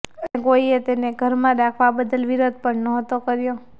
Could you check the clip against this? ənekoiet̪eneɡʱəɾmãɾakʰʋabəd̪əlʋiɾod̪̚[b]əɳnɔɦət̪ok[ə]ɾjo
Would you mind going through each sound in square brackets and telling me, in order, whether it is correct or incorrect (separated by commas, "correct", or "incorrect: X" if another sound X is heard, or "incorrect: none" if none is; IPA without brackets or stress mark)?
incorrect: p, correct